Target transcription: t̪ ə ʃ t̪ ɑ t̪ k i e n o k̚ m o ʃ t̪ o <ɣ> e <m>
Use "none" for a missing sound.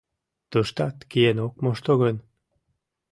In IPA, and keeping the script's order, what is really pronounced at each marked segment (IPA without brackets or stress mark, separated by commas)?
ɣ, n